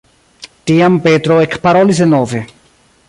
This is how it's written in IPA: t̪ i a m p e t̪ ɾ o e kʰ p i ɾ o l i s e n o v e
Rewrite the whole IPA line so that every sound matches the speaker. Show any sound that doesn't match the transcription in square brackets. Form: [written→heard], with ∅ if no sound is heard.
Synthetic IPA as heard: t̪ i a m p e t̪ ɾ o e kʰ p [i→a] ɾ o l i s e n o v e